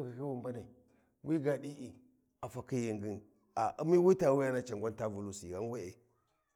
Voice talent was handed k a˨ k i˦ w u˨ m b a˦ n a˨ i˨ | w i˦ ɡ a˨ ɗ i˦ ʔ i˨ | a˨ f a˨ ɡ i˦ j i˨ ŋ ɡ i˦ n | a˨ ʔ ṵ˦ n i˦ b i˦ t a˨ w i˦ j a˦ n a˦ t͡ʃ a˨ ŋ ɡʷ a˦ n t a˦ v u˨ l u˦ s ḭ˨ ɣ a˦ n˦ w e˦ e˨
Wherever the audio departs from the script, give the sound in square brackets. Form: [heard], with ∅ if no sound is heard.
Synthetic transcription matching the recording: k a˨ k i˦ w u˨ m b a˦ n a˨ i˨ | w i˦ ɡ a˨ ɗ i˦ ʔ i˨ | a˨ f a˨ [k] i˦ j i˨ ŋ ɡ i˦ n | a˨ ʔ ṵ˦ [m] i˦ [w] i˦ t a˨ w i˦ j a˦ n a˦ t͡ʃ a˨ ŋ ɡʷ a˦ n t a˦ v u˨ l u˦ s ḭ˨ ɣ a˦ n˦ w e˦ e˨